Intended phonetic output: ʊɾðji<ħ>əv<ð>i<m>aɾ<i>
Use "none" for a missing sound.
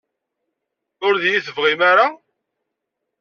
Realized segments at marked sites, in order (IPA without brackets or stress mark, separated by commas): θ, ʁ, m, a